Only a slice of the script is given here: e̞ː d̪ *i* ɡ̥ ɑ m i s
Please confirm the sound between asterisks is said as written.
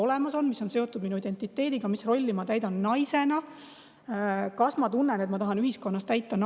yes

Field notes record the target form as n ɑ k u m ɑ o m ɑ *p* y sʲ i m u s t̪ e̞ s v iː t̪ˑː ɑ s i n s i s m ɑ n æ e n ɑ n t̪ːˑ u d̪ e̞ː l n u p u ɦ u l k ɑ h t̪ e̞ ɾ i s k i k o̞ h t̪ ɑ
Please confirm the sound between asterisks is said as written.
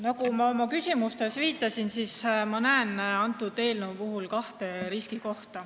no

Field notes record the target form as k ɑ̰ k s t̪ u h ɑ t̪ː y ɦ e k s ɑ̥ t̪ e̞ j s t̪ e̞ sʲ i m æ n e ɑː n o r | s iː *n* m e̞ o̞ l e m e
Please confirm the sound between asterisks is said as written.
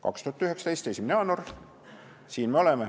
yes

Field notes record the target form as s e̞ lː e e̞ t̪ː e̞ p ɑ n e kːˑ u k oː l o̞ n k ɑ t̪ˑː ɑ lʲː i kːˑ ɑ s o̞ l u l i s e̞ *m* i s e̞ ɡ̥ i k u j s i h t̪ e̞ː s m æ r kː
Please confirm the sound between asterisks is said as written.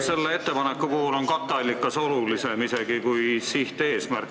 yes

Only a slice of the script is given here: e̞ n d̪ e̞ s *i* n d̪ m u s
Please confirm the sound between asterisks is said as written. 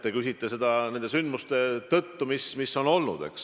no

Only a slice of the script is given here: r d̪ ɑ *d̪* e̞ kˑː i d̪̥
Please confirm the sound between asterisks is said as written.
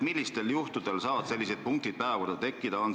no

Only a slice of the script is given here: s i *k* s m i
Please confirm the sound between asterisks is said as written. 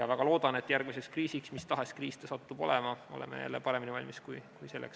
yes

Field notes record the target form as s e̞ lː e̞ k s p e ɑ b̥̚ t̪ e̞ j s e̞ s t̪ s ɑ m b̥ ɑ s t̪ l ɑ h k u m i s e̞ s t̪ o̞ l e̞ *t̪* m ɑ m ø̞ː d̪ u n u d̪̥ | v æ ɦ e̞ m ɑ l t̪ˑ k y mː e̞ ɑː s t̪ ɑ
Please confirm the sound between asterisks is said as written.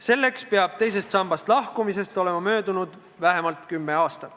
no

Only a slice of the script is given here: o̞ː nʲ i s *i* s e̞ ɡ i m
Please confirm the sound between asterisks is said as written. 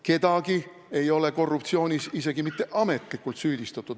yes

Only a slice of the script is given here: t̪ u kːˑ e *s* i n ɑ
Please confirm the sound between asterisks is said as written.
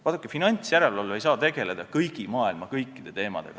no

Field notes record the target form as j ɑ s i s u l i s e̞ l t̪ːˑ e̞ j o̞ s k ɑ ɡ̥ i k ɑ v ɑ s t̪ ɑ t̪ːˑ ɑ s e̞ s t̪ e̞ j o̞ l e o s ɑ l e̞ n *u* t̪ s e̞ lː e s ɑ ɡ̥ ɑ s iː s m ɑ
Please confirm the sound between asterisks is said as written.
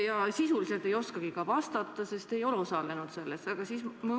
yes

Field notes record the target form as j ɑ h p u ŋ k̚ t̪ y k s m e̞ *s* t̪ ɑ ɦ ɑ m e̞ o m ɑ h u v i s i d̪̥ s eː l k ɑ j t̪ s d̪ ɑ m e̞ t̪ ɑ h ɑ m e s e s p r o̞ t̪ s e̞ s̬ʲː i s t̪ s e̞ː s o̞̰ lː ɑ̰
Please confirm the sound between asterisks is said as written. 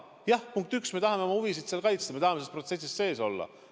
no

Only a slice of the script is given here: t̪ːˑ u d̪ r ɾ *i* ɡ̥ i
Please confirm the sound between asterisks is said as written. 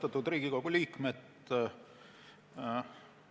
no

